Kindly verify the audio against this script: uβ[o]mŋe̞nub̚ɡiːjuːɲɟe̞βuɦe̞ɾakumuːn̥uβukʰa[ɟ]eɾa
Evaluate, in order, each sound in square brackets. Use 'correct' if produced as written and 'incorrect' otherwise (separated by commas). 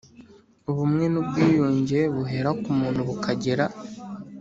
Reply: incorrect, correct